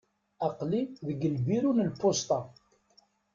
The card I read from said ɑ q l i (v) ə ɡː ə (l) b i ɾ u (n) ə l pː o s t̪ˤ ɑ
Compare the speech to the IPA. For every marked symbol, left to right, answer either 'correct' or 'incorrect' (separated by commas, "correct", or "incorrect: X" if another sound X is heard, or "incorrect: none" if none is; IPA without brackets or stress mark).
incorrect: ð, correct, correct